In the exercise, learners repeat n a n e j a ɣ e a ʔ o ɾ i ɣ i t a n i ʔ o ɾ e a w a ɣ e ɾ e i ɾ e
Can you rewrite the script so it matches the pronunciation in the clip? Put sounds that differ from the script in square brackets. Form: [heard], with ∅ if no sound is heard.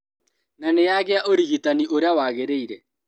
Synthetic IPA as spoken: n a n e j a ɣ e a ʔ o ɾ i ɣ i t a n i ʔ o ɾ e a w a ɣ e ɾ e i ɾ [ɛ]